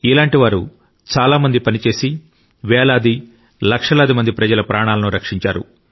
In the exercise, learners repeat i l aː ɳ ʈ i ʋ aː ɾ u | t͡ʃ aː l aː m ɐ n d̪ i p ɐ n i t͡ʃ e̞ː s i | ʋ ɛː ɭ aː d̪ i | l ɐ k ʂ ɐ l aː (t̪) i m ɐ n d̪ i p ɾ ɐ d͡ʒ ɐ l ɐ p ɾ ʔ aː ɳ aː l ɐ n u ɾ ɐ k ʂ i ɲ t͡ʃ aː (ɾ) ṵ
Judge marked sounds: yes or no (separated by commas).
no, yes